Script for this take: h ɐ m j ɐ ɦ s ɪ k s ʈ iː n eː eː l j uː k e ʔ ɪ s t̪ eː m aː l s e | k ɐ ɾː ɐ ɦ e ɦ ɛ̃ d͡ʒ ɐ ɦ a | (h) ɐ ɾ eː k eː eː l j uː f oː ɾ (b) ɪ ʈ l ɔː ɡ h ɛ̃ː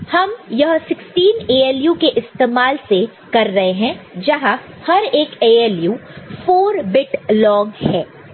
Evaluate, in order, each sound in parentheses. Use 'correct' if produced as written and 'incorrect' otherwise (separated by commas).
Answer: correct, correct